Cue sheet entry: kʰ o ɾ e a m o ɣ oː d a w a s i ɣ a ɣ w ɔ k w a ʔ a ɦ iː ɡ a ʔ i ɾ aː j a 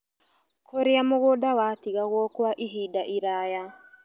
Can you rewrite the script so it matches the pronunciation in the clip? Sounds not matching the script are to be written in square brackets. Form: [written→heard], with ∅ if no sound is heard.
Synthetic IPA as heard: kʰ o ɾ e a m o ɣ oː d a w a [s→t] i ɣ a ɣ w ɔ k w a ʔ [a→i] ɦ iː [ɡ→d] a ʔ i ɾ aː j a